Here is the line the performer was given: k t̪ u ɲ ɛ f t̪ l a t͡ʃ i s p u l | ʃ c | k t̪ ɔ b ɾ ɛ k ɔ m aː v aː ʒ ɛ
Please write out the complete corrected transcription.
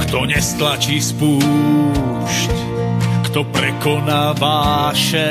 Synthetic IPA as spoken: k t̪ ɔ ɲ ɛ s t̪ l a t͡ʃ i s p u | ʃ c | k t̪ ɔ p ɾ ɛ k ɔ n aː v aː ʃ ɛ